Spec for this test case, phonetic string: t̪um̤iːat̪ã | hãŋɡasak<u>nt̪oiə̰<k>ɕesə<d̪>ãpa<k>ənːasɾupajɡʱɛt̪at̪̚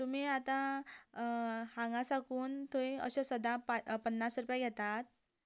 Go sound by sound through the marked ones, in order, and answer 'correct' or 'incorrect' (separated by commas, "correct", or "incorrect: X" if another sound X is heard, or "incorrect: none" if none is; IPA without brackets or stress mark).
incorrect: uː, incorrect: none, correct, incorrect: p